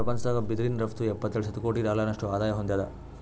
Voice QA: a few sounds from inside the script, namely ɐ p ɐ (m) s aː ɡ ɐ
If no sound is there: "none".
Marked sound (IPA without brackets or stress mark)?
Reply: n